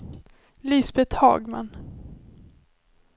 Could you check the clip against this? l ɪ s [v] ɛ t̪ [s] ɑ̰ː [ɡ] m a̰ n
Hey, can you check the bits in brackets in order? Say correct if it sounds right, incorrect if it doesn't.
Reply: incorrect: b, incorrect: h, correct

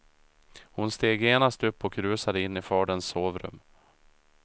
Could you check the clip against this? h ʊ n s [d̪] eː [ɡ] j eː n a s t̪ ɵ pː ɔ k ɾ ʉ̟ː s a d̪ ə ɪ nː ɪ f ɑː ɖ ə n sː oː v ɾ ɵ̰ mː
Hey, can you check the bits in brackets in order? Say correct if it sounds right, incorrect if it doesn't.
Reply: incorrect: t̪, correct

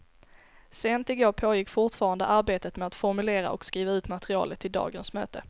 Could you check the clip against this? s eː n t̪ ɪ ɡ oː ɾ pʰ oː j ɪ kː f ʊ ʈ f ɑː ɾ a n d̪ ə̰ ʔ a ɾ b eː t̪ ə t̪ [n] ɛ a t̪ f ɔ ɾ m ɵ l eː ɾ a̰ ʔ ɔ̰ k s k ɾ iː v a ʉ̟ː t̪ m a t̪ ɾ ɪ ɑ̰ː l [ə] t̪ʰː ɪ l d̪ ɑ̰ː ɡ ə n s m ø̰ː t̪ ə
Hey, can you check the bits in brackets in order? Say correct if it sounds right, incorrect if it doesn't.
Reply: incorrect: m, correct

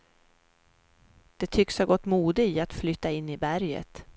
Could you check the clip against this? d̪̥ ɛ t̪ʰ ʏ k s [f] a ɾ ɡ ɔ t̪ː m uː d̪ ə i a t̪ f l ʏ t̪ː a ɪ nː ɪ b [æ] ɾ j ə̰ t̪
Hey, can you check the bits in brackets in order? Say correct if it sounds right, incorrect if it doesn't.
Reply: incorrect: h, correct

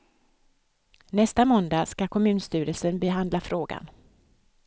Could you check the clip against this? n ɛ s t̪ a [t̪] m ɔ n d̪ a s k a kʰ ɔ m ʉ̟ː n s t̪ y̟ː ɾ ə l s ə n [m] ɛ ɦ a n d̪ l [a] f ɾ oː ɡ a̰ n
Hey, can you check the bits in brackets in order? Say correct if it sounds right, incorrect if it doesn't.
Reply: incorrect: none, incorrect: b, correct

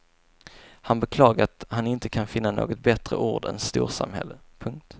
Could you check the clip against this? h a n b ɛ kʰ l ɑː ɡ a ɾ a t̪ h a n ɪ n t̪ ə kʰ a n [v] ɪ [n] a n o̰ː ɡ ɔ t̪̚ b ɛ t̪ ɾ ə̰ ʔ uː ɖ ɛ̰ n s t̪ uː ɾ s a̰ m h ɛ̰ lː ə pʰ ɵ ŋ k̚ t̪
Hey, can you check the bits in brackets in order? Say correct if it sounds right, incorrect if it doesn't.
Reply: incorrect: f, incorrect: nː

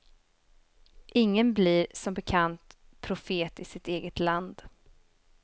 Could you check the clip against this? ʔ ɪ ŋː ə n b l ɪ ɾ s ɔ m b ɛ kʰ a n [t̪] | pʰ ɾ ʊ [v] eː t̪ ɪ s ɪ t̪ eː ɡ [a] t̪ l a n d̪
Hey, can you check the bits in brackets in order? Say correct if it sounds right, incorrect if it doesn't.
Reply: correct, incorrect: f, incorrect: ə

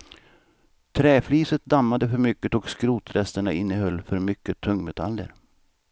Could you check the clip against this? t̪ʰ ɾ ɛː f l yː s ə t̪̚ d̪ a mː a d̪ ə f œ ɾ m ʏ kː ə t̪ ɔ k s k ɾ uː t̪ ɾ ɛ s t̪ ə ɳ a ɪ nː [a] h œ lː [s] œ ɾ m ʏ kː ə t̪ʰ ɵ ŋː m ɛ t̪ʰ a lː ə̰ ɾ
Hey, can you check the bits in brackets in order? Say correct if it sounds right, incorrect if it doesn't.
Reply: incorrect: ə, incorrect: f

